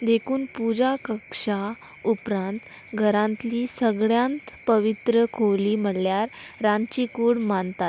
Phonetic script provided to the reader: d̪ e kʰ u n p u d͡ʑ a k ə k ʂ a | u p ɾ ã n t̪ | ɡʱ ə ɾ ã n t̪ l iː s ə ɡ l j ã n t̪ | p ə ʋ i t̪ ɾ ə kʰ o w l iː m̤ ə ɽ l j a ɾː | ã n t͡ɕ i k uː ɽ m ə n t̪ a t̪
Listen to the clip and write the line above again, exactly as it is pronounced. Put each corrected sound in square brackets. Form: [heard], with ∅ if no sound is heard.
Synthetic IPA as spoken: d̪ e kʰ [uː] n p u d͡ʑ a k ə k ʂ a | u p ɾ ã n t̪ | ɡʱ ə ɾ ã n t̪ l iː s ə ɡ [ɭ] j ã n t̪ | p ə ʋ i t̪ ɾ ə kʰ o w l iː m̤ ə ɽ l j a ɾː | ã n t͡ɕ i k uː ɽ m [a] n t̪ a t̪